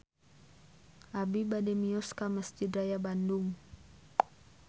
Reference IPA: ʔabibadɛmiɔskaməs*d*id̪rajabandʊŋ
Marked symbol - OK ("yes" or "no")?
no